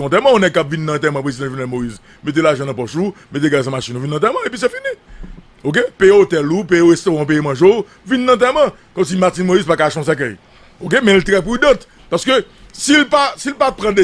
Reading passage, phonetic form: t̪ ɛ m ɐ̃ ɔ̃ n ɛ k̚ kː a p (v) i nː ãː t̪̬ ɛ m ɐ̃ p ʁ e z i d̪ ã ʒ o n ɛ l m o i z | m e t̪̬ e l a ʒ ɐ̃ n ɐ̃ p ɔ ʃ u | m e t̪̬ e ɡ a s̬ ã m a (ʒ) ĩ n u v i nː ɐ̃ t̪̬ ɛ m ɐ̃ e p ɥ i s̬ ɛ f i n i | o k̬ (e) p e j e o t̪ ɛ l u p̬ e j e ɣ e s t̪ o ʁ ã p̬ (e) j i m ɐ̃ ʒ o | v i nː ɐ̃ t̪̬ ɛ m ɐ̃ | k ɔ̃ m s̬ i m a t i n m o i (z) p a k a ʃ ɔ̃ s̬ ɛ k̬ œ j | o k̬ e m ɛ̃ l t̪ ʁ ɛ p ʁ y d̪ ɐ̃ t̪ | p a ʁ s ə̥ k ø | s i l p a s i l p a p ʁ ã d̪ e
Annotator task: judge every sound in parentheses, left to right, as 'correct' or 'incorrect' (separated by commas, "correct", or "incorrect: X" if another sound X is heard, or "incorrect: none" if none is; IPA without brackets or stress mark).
correct, incorrect: ʃ, correct, correct, correct